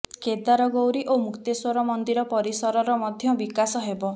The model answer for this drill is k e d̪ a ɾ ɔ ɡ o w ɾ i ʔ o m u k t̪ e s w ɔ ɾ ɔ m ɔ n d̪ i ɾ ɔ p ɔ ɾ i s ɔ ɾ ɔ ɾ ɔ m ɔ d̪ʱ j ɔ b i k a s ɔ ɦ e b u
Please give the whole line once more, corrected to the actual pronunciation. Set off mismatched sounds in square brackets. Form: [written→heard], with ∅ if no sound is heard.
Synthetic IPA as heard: k e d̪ a ɾ ɔ ɡ o w ɾ i ʔ o m u k t̪ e s w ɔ ɾ ɔ m ɔ n d̪ i ɾ ɔ p ɔ ɾ i s ɔ ɾ ɔ ɾ ɔ m ɔ d̪ʱ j ɔ b i k a s ɔ ɦ e b [u→ɔ]